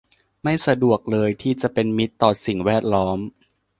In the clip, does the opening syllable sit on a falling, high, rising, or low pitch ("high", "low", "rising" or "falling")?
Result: falling